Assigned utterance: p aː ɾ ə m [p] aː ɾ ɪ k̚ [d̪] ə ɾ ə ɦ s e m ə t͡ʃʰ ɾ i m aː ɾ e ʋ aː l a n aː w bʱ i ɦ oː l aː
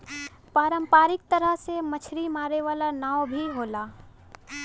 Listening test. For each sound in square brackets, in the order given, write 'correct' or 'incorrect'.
correct, incorrect: t̪

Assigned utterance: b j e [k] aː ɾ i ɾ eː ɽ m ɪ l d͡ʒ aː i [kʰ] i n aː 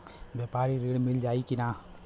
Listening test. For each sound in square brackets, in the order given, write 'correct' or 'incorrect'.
incorrect: p, incorrect: k

